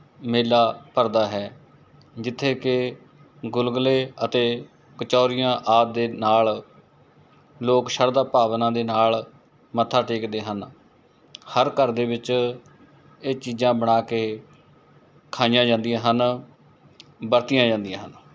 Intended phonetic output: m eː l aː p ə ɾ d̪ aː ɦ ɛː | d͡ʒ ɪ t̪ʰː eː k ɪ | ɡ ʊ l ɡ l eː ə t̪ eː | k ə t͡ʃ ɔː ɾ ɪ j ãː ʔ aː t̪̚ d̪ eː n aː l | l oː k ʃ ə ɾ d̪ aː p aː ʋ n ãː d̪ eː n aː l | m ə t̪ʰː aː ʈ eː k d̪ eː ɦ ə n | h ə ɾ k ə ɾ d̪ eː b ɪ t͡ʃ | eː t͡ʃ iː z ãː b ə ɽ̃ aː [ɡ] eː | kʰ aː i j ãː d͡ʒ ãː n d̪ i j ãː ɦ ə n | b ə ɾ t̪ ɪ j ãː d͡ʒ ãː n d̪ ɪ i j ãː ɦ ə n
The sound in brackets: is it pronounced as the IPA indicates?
no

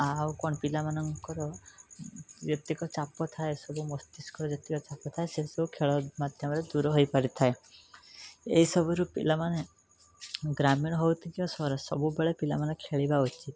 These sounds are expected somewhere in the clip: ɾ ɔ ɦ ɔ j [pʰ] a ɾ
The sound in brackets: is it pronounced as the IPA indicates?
no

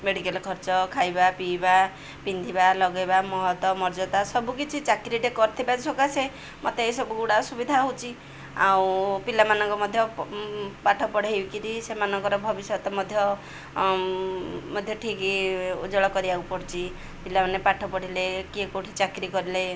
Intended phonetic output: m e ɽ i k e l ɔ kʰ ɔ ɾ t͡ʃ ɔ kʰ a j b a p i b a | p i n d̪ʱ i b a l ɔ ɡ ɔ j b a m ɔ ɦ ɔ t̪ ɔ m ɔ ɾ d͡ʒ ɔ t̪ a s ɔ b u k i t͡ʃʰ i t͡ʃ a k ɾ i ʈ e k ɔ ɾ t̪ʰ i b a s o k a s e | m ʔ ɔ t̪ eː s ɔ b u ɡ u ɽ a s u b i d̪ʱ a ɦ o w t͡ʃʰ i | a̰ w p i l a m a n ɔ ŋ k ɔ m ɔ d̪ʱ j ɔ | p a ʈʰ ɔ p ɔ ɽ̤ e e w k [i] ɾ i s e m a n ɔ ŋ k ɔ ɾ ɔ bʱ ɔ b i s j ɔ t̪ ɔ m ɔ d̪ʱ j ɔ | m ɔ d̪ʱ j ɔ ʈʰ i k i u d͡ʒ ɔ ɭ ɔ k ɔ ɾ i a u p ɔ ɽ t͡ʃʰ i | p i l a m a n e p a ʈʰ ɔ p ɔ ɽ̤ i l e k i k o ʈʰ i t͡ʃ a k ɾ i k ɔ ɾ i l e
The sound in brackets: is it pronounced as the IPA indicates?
yes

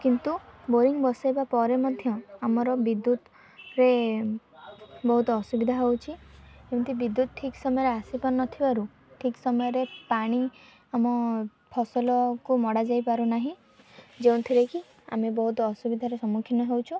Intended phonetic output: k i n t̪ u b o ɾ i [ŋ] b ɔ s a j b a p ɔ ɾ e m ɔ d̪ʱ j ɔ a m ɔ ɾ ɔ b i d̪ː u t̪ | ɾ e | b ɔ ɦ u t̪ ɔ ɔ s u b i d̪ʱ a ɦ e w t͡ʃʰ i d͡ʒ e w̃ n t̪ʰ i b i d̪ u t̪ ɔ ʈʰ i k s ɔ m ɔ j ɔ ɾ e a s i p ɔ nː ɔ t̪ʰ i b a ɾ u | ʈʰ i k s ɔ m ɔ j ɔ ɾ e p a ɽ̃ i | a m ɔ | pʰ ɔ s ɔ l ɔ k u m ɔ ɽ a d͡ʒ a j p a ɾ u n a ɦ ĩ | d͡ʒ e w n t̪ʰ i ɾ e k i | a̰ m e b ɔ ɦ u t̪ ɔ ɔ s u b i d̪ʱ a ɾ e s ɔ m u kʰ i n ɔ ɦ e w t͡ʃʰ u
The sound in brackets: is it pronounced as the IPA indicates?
yes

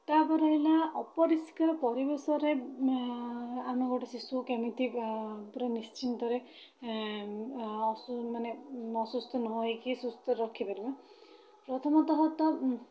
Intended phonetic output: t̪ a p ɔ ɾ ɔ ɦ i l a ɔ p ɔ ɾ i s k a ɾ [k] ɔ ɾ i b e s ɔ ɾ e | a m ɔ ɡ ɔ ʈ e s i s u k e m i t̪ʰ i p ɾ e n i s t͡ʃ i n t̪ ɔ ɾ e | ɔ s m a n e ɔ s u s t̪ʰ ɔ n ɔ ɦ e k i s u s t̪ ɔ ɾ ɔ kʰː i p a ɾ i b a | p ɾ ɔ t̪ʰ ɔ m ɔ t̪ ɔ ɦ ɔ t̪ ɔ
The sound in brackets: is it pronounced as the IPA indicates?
no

